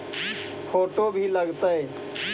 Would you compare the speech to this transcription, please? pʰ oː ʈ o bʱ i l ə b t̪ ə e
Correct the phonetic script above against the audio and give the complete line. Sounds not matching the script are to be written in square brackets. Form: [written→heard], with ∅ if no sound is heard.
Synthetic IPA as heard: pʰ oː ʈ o bʱ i l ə [b→ɡ] t̪ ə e